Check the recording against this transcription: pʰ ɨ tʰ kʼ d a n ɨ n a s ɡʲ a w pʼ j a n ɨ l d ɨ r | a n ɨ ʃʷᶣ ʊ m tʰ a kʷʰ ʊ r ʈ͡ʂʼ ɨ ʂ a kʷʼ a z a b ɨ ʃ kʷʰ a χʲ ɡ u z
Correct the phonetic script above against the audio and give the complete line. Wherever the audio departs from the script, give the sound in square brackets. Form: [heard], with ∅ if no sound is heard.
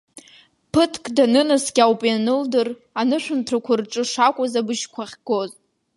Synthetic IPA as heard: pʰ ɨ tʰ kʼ d a n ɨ n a s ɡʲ a w pʼ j a n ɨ l d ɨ r | a n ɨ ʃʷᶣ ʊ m tʰ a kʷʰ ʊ r ʈ͡ʂʼ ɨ ʂ a kʷʼ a z a b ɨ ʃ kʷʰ a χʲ ɡ [o] z